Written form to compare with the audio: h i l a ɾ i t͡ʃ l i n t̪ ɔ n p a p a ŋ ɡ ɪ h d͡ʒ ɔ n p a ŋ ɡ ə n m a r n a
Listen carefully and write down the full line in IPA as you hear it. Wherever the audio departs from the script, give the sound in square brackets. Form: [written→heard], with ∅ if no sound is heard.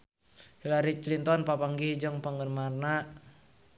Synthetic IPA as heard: h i l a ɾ i t͡ʃ l i n t̪ ɔ n p a p a ŋ ɡ [ɪ→i] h d͡ʒ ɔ [n→ŋ] p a ŋ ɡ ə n m a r n a

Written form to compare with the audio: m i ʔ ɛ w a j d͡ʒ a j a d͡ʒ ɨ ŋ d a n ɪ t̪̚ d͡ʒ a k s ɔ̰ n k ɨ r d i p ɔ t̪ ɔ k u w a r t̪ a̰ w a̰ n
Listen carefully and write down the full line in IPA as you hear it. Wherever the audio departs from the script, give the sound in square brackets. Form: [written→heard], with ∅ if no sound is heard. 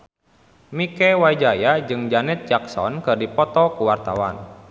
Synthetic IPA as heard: m i [ʔ→k] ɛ w a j d͡ʒ a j a d͡ʒ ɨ ŋ [d→d͡ʒ] a n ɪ t̪̚ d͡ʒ a k s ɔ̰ n k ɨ r d i p ɔ t̪ ɔ k u w a r t̪ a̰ w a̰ n

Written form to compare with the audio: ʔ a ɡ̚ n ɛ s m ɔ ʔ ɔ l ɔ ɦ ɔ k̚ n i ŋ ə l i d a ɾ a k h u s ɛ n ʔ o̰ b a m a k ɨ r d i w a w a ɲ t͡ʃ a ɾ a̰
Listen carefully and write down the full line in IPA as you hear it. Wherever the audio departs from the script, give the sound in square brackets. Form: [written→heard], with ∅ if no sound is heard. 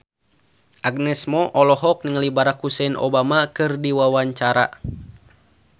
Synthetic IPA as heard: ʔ a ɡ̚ n ɛ s m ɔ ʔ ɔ l ɔ ɦ ɔ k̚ n i ŋ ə l i [d→b] a ɾ a k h u s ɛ n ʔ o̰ b a m a k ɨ r d i w a w a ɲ t͡ʃ a ɾ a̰

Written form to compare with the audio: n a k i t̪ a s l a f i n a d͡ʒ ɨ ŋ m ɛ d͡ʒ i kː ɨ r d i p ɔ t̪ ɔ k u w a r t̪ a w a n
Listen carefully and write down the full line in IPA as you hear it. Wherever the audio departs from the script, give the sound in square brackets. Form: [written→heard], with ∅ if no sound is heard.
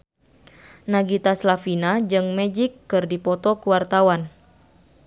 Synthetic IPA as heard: n a [k→ɡ] i t̪ a s l a f i n a d͡ʒ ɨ ŋ m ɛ d͡ʒ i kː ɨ r d i p ɔ t̪ ɔ k u w a r t̪ a w a n

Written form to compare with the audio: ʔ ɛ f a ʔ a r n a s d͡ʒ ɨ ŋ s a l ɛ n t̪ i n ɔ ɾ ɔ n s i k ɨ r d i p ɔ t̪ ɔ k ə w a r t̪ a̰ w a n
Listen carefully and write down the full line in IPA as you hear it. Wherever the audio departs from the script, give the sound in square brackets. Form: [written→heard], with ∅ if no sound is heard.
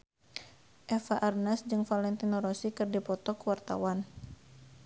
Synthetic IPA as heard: ʔ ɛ f a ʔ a r n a s d͡ʒ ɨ ŋ [s→f] a l ɛ n t̪ i n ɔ ɾ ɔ [n→∅] s i k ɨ r d i p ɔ t̪ ɔ k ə w a r t̪ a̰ w a n

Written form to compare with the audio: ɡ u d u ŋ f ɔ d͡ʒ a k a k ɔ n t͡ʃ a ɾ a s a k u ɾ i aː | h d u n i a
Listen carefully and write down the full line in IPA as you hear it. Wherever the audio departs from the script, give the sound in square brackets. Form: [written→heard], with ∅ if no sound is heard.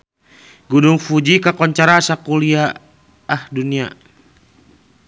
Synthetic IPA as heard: ɡ u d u ŋ f [ɔ→u] d͡ʒ [a→i] k a k ɔ [n→ɲ] t͡ʃ a ɾ a s a k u [ɾ→l] i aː | h d u n i a

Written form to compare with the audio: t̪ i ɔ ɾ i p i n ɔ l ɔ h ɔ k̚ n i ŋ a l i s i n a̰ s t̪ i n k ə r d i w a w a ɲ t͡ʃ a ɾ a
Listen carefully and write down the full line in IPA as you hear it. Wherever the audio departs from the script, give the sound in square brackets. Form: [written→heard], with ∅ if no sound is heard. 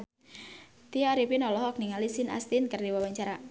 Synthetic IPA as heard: t̪ i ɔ ɾ i p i n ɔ l ɔ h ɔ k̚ n i ŋ a l i s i n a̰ s t̪ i n k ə r d i w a w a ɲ t͡ʃ a ɾ a

